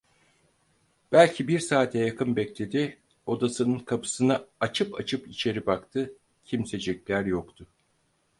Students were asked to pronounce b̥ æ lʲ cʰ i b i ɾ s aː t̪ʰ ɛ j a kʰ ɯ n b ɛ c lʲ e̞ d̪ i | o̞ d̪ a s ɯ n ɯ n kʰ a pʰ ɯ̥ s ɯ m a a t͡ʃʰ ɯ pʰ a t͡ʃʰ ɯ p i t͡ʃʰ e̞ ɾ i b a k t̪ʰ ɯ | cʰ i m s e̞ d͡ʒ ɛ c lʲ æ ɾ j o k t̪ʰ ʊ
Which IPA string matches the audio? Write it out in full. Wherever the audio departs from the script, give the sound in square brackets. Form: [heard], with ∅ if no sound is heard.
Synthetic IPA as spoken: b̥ æ lʲ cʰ i b i ɾ s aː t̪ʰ ɛ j a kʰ ɯ n b ɛ c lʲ e̞ d̪ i | o̞ d̪ a s ɯ n ɯ n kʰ a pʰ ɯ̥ s ɯ [n] a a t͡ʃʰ ɯ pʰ a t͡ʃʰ ɯ p i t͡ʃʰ e̞ ɾ i b a k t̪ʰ ɯ | cʰ i m s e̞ d͡ʒ ɛ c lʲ æ ɾ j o k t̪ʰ ʊ